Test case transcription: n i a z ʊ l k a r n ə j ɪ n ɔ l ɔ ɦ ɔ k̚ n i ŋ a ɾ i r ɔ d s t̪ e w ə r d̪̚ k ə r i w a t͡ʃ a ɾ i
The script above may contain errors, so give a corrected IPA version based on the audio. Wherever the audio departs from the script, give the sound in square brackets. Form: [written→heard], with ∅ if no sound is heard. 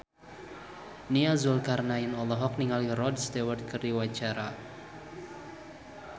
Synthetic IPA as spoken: n i a z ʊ l k a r n [ə→a] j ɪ n ɔ l ɔ ɦ ɔ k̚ n i ŋ a [ɾ→l] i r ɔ d s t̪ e w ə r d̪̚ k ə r i w a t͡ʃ a ɾ [i→a]